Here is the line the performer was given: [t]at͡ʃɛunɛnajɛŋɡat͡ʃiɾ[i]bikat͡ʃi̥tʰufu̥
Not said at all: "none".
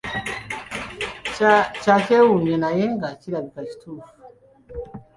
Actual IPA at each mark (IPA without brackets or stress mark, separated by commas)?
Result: t͡ʃ, a